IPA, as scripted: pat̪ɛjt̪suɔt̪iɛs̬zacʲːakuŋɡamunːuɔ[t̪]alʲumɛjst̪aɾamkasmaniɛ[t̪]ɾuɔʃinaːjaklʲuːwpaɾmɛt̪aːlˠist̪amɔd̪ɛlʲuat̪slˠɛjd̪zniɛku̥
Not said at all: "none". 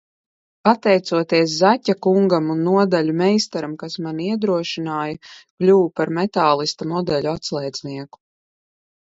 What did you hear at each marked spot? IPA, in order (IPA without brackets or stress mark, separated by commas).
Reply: d̪, d̪